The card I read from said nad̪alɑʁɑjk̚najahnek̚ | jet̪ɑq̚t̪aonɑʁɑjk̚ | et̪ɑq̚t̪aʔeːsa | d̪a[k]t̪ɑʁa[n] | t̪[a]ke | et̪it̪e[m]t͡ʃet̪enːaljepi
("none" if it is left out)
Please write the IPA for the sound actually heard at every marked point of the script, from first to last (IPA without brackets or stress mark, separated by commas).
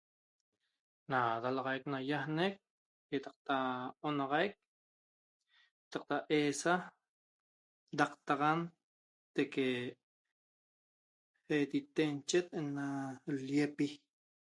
q, n, e, n